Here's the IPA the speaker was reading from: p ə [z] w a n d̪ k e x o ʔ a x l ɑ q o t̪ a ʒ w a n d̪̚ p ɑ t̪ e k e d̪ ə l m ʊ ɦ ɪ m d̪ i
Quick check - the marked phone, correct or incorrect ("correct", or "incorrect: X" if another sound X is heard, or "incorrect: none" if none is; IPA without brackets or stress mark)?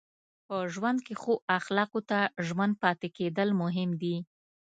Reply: incorrect: ʒ